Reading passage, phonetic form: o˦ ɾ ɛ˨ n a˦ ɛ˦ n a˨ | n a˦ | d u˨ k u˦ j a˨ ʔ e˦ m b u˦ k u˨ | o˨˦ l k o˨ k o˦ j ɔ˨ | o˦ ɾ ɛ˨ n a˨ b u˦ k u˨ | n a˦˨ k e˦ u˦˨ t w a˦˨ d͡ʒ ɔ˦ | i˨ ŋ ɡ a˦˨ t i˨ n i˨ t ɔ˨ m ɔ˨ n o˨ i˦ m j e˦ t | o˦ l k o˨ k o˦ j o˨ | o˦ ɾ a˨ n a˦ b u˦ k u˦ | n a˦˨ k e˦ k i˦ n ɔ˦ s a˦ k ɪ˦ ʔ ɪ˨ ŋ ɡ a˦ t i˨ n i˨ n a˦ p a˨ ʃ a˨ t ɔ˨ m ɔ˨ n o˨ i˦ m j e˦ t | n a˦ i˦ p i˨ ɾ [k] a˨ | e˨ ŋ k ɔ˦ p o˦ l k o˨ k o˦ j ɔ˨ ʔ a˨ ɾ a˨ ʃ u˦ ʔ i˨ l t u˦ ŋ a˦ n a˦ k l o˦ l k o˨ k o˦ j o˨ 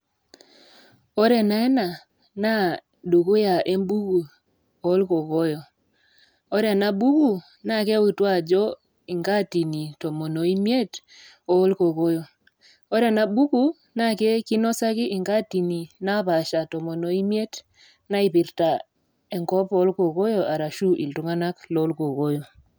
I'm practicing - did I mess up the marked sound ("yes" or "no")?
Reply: yes